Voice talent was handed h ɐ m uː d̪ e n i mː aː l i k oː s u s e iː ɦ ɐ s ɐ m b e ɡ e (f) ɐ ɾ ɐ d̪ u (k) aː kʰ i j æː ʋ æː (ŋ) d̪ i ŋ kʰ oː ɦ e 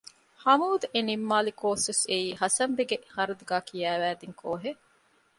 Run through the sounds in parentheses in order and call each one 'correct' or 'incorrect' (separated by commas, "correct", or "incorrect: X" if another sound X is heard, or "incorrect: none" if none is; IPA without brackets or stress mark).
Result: incorrect: h, incorrect: ɡ, incorrect: none